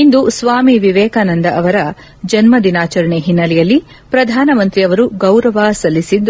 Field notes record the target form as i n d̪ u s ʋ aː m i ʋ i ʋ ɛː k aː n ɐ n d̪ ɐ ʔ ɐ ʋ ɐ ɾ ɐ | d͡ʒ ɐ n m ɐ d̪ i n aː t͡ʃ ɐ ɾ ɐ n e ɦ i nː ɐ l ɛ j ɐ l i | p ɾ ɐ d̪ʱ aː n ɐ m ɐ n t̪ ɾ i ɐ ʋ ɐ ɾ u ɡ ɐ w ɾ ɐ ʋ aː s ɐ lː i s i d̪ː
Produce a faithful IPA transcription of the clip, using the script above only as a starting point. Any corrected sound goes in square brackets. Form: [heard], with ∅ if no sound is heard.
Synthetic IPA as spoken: i n d̪ u s ʋ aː m i ʋ i ʋ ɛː k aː n ɐ n d̪ ɐ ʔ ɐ ʋ ɐ ɾ ɐ | d͡ʒ ɐ n m ɐ d̪ i n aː t͡ʃ ɐ ɾ ɐ [ɳ] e ɦ i nː ɐ l ɛ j ɐ [lː] i | p ɾ ɐ d̪ʱ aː n ɐ m ɐ n t̪ ɾ i ɐ ʋ ɐ ɾ u ɡ ɐ w ɾ ɐ ʋ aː s ɐ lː i s i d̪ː

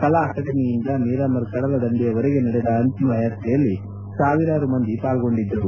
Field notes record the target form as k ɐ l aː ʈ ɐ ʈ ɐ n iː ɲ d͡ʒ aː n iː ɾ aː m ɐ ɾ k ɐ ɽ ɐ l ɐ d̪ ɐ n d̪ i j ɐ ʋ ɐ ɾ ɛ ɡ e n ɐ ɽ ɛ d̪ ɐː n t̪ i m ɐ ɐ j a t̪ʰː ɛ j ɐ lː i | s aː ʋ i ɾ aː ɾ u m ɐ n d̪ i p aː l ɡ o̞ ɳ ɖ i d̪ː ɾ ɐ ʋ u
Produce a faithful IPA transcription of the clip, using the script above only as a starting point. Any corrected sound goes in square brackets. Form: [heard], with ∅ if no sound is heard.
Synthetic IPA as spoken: k ɐ l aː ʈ ɐ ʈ ɐ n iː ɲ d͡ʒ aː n iː ɾ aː m ɐ ɾ k ɐ ɽ ɐ l ɐ d̪ ɐ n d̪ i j ɐ ʋ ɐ ɾ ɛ ɡ e n ɐ ɽ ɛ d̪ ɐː n t̪ i m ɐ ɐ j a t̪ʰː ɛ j ɐ lː i | s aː ʋ i ɾ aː ɾ u m ɐ n d̪ i p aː l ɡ o̞ ɳ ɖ i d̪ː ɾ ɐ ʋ u

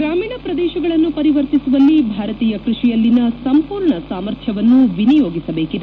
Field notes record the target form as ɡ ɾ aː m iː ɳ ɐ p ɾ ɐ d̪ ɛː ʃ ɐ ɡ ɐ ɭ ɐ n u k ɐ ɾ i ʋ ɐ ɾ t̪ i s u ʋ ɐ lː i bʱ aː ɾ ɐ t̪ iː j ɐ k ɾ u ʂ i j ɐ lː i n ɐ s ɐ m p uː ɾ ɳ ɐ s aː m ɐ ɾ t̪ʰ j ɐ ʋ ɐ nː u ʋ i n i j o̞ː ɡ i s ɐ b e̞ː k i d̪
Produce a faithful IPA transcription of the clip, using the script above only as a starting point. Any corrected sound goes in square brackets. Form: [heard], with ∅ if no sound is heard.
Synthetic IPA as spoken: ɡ ɾ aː m iː ɳ ɐ p ɾ ɐ d̪ ɛː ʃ ɐ ɡ ɐ ɭ ɐ [nː] u [p] ɐ ɾ i ʋ ɐ ɾ t̪ i s u ʋ ɐ lː i bʱ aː ɾ ɐ t̪ iː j ɐ k ɾ u ʂ i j ɐ lː i n ɐ s ɐ m p uː ɾ ɳ ɐ s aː m ɐ ɾ t̪ʰ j ɐ ʋ ɐ nː u ʋ i n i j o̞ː ɡ i s ɐ b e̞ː k i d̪

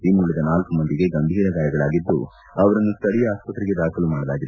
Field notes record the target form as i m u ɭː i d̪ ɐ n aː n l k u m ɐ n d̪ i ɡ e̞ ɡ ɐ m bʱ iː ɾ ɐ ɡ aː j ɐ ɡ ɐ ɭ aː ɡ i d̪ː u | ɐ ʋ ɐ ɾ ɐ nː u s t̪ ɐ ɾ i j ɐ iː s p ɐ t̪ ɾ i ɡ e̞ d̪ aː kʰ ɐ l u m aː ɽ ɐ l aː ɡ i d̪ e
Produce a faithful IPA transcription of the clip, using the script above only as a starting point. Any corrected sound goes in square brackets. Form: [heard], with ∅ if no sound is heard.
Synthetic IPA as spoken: i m u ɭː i d̪ ɐ n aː [∅] l k u m ɐ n d̪ i ɡ e̞ ɡ ɐ m bʱ iː ɾ ɐ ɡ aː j ɐ ɡ ɐ ɭ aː ɡ i d̪ː u | ɐ ʋ ɐ ɾ ɐ nː u s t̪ ɐ [ɽ] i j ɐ [aː] s p ɐ t̪ ɾ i ɡ e̞ d̪ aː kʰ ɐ l u m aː ɽ ɐ l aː ɡ i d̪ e

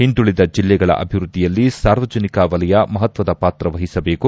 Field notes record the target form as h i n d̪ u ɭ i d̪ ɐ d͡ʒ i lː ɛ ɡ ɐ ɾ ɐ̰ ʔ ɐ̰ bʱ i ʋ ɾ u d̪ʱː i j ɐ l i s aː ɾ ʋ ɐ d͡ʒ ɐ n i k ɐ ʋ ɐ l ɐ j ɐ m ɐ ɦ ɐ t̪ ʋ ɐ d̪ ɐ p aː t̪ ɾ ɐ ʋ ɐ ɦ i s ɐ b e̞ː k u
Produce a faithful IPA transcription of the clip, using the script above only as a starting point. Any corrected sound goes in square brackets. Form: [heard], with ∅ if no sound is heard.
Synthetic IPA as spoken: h i n d̪ u ɭ i d̪ ɐ d͡ʒ i lː ɛ ɡ ɐ [ɭ] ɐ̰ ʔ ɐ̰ bʱ i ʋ ɾ u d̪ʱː i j ɐ [lː] i s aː ɾ ʋ ɐ d͡ʒ ɐ n i k ɐ ʋ ɐ l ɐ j ɐ m ɐ ɦ ɐ t̪ ʋ ɐ d̪ ɐ p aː t̪ ɾ ɐ ʋ ɐ ɦ i s ɐ b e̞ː k u

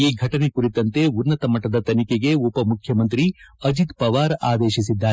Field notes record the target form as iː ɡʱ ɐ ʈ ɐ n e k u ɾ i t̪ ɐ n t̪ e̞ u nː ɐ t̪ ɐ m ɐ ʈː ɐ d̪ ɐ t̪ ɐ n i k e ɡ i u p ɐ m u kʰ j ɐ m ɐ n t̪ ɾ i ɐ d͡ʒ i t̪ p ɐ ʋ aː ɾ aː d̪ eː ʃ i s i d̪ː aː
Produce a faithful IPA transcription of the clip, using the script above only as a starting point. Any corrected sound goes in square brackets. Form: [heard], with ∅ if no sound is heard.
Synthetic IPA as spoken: iː ɡʱ ɐ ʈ ɐ n e k u ɾ i t̪ ɐ n t̪ e̞ u nː ɐ t̪ ɐ m ɐ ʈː ɐ d̪ ɐ t̪ ɐ n i k e ɡ [e] u p ɐ m u kʰ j ɐ m ɐ n t̪ ɾ i ɐ d͡ʒ i t̪ p ɐ ʋ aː ɾ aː d̪ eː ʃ i s i d̪ː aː

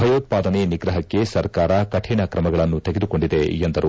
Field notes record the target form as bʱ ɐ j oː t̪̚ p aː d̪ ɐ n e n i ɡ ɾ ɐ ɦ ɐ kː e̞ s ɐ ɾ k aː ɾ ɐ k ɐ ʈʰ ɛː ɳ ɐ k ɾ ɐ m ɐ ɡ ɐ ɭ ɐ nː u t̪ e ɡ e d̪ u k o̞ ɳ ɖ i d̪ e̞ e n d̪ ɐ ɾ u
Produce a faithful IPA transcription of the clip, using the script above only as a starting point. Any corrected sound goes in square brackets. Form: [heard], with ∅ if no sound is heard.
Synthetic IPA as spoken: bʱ ɐ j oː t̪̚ p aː d̪ ɐ n e n i ɡ ɾ ɐ ɦ ɐ kː e̞ s ɐ ɾ k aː ɾ ɐ k ɐ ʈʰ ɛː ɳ ɐ k ɾ ɐ m ɐ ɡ ɐ ɭ ɐ nː u t̪ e ɡ e d̪ u k o̞ ɳ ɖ i d̪ e̞ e n d̪ ɐ ɾ u

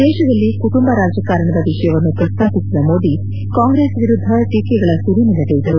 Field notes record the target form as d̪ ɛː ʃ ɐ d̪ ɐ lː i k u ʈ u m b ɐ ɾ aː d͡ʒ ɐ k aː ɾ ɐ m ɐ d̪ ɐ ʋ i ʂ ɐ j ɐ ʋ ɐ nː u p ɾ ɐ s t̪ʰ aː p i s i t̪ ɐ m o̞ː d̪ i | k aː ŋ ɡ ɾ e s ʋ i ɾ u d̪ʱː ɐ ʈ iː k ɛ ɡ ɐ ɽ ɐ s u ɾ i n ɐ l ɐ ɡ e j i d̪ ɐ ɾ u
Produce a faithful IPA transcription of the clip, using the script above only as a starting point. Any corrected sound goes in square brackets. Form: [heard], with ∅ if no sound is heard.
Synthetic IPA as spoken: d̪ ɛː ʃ ɐ d̪ ɐ lː i k u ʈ u m b ɐ ɾ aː d͡ʒ ɐ k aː ɾ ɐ [ɳ] ɐ d̪ ɐ ʋ i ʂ ɐ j ɐ ʋ ɐ nː u p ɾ ɐ s t̪ʰ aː p i s i [d̪] ɐ m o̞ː d̪ i | k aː ŋ ɡ ɾ e s ʋ i ɾ u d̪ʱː ɐ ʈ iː k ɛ ɡ ɐ [ɭ] ɐ s u ɾ i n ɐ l ɐ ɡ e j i d̪ ɐ ɾ u

